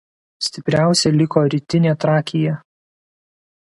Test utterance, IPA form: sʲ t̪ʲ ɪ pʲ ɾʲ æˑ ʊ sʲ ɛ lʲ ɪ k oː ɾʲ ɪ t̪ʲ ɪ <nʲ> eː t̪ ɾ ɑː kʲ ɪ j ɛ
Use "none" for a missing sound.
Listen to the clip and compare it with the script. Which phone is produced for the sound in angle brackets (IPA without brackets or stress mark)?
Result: nʲ